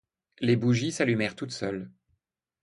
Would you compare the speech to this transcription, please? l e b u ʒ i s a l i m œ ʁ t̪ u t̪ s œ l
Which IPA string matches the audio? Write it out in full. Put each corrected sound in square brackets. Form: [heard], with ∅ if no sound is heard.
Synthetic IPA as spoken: l e b u ʒ i s a l [y] m [ɛ] ʁ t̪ u t̪ s œ l